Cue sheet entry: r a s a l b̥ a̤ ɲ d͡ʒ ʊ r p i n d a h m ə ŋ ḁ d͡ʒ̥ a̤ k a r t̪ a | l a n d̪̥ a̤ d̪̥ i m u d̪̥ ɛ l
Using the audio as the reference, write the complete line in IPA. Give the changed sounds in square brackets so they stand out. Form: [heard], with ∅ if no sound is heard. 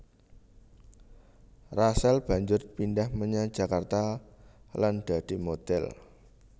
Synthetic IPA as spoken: r a s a l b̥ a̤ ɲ d͡ʒ ʊ r p i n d a h m ə [ɲ] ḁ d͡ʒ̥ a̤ k a r t̪ a | l a n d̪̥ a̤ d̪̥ i m [o] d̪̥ ɛ l